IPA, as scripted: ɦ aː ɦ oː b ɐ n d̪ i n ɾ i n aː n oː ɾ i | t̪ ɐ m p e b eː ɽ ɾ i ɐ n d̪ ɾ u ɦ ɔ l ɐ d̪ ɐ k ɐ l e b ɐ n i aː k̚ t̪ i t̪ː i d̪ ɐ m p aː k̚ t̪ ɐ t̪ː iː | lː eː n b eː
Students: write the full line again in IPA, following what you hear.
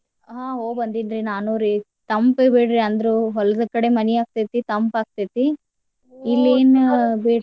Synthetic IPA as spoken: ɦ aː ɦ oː b ɐ n d̪ i n ɾ i n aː n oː ɾ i | t̪ ɐ m p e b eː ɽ ɾ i ɐ n d̪ ɾ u ɦ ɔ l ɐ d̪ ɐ k ɐ ɽ e m ɐ n i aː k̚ t̪ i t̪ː i t̪ ɐ m p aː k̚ t̪ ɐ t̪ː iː | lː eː n b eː